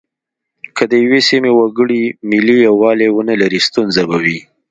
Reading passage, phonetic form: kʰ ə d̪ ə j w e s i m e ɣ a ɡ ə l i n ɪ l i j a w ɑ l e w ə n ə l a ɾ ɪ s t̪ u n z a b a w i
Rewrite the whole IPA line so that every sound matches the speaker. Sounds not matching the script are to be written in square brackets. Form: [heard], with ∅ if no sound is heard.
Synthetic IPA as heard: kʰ ə d̪ ə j w e s i m e [w] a ɡ ə [ɽ] i [m] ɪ l i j a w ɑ l e w ə n ə l a ɾ [i] s t̪ u n z a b a w i